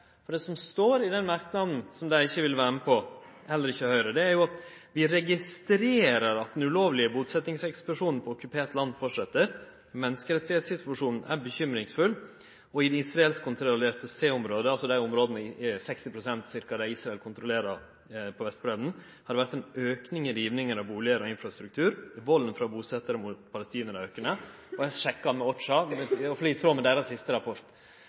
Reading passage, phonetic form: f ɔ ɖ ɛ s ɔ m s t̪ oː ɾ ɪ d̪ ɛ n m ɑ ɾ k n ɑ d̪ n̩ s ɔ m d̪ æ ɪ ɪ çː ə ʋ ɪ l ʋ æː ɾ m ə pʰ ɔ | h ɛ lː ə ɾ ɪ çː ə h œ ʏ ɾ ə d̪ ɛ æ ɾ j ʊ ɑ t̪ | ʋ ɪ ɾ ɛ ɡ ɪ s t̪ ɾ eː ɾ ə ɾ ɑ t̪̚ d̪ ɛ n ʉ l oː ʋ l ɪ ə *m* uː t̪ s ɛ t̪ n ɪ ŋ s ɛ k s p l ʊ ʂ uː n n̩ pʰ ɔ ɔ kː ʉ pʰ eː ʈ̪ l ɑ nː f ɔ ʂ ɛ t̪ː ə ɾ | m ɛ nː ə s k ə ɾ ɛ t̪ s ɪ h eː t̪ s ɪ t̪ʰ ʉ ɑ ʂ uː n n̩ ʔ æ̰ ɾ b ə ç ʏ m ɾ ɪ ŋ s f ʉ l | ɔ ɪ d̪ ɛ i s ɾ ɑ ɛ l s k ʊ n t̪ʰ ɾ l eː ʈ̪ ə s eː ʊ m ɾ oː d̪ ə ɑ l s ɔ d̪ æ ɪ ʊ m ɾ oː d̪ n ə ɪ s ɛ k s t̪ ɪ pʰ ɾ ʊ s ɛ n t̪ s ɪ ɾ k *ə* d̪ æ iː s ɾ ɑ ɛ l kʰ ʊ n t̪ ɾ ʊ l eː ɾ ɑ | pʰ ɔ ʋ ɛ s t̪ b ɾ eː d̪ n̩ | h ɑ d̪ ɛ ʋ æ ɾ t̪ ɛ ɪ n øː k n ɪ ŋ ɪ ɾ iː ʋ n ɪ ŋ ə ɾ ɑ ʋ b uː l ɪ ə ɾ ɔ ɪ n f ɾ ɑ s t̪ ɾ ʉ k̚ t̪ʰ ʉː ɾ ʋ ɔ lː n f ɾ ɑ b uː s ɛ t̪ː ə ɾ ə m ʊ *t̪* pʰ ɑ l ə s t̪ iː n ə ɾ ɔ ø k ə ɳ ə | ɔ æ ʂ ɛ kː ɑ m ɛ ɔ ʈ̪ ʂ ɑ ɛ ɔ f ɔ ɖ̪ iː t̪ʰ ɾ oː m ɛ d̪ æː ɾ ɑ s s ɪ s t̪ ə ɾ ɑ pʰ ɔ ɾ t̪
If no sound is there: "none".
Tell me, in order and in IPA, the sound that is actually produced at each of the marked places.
b, ɑ, t̪

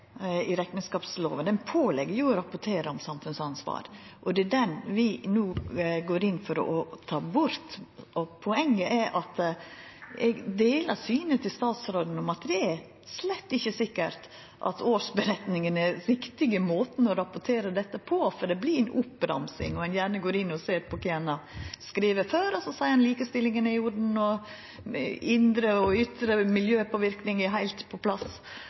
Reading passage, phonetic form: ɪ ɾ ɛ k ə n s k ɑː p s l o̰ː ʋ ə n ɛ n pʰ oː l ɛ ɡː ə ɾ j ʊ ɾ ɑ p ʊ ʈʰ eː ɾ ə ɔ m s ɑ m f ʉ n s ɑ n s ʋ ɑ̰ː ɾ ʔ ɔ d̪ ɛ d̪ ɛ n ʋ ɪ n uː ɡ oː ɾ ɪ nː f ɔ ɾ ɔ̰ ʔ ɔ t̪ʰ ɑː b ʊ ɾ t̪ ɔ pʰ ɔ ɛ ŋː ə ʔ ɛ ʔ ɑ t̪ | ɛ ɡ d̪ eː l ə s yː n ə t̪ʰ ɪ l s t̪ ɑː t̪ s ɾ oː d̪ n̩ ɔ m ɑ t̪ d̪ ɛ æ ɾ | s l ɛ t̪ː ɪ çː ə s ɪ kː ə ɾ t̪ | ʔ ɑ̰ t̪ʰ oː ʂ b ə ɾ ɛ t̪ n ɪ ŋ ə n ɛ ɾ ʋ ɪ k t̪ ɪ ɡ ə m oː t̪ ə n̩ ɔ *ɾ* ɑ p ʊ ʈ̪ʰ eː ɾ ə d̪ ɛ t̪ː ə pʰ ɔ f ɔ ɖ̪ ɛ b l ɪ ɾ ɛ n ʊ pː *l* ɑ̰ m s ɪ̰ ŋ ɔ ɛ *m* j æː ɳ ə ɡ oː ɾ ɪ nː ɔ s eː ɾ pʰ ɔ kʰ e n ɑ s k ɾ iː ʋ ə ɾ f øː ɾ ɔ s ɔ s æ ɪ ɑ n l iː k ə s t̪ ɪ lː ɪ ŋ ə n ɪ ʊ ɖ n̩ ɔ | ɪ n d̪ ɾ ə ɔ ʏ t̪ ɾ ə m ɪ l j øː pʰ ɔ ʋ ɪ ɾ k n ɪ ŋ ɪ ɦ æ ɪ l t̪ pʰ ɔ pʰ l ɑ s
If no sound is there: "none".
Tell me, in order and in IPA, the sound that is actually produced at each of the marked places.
ɾ, ɾ, n

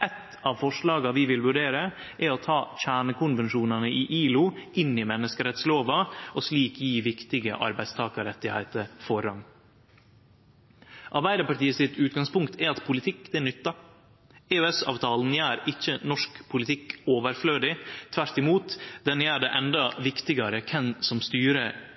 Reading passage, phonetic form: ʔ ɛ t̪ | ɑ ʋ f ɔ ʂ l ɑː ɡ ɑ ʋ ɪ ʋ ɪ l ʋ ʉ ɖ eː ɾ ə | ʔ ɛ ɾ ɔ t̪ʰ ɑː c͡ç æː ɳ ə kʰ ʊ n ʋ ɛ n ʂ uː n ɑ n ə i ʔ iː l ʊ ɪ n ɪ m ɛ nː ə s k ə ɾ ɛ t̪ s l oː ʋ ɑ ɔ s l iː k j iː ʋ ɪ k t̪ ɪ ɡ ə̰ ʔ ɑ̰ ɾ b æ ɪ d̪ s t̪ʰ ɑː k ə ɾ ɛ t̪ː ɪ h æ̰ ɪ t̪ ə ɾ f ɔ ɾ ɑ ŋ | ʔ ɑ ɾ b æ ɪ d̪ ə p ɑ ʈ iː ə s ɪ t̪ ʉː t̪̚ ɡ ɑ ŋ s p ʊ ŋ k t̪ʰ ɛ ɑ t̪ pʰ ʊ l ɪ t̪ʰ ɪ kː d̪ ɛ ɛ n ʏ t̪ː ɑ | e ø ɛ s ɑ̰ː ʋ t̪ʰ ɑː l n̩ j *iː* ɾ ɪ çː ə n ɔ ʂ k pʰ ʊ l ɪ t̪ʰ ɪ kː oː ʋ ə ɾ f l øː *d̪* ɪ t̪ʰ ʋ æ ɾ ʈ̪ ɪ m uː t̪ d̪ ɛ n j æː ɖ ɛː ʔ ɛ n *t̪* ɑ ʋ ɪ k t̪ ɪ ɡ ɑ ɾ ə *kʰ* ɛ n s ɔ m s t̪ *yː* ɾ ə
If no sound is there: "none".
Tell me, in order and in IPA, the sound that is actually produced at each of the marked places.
æː, d̪, d̪, kʰ, yː

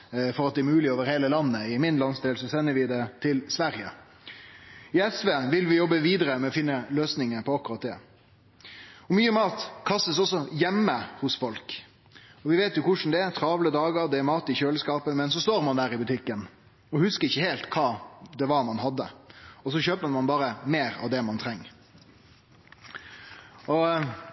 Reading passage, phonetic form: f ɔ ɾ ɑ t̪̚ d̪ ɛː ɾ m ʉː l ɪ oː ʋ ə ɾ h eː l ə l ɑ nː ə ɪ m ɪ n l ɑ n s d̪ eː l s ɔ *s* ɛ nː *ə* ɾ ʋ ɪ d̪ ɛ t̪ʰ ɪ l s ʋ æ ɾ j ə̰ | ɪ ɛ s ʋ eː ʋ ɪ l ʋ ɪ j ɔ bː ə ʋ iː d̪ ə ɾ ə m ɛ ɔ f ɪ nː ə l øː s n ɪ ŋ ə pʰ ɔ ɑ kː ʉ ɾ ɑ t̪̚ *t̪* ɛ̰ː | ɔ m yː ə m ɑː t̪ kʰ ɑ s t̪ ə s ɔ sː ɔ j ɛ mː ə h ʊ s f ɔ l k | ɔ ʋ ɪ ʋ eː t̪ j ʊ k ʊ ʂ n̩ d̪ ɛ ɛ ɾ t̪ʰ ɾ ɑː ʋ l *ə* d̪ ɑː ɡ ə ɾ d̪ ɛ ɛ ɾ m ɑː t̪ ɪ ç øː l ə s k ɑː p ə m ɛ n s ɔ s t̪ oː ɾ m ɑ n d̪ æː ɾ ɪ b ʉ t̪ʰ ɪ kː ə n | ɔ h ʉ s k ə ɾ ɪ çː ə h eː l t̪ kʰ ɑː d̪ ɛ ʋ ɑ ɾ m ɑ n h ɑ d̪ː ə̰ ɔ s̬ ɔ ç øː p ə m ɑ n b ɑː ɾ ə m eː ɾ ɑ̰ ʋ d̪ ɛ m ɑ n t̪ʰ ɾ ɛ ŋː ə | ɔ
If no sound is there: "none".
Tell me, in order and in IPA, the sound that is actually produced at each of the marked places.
s, ə, d̪, ə

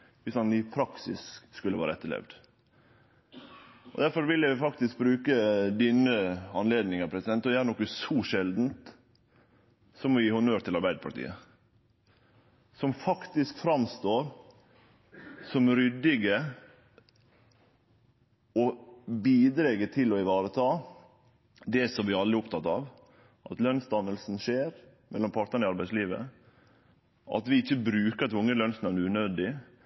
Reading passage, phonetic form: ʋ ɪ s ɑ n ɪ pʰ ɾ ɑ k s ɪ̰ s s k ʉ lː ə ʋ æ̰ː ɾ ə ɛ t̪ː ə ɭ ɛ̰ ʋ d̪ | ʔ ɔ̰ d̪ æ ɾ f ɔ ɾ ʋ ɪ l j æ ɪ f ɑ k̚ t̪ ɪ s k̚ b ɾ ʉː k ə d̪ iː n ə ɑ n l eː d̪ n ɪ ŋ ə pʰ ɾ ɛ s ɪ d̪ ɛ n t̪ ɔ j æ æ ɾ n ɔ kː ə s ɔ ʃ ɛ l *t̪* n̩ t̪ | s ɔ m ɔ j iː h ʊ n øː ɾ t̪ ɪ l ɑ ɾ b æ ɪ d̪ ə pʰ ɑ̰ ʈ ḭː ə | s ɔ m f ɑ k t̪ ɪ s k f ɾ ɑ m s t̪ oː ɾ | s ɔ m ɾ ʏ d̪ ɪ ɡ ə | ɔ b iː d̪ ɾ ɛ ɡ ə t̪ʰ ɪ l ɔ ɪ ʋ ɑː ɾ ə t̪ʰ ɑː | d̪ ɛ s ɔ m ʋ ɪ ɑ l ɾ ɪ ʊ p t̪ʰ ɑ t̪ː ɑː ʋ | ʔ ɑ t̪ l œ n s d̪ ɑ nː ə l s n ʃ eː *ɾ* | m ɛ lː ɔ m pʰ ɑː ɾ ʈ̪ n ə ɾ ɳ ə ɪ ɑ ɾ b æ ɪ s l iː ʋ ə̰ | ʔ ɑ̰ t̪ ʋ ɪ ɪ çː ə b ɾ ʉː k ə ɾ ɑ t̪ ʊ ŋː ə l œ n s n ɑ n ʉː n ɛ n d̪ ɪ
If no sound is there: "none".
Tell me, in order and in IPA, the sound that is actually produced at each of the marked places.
d̪, ɾ

